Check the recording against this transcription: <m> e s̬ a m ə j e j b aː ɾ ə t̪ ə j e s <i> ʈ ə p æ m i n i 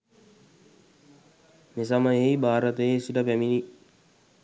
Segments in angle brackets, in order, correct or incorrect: correct, correct

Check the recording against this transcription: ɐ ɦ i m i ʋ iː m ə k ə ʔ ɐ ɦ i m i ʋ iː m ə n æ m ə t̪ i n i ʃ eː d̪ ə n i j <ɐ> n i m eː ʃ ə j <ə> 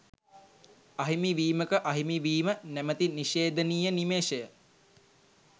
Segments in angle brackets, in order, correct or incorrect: incorrect: ə, correct

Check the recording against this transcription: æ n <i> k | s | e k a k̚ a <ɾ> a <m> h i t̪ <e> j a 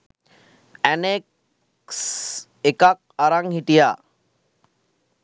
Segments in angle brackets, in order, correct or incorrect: incorrect: e, correct, incorrect: ŋ, incorrect: i

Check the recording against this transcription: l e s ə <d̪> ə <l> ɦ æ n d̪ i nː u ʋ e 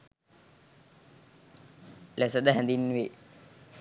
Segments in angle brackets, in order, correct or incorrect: correct, incorrect: none

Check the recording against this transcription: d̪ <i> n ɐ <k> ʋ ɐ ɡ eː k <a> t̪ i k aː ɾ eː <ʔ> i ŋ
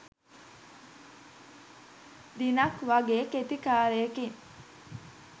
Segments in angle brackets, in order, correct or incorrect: correct, correct, incorrect: e, incorrect: k

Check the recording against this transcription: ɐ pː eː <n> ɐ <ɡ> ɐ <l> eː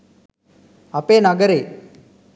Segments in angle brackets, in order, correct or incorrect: correct, correct, incorrect: ɾ

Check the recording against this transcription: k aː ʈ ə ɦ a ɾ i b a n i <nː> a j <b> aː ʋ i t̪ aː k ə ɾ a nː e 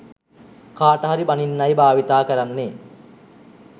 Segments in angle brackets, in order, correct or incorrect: correct, correct

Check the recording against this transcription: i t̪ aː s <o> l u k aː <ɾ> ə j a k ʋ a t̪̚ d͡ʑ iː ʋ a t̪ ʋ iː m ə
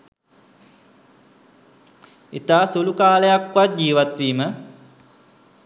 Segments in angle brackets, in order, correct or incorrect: incorrect: u, incorrect: l

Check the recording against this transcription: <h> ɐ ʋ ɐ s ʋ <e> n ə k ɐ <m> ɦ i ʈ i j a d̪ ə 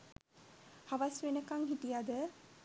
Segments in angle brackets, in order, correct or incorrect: correct, correct, incorrect: ŋ

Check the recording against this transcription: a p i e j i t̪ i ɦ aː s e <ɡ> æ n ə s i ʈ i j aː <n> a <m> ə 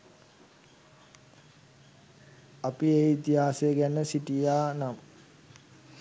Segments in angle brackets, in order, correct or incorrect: correct, correct, correct

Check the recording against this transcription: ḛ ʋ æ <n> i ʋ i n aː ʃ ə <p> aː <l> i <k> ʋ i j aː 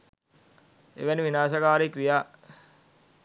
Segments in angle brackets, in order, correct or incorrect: correct, incorrect: k, incorrect: ɾ, correct

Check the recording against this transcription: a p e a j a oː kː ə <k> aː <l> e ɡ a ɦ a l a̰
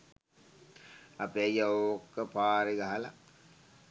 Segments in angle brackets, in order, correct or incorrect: incorrect: p, incorrect: ɾ

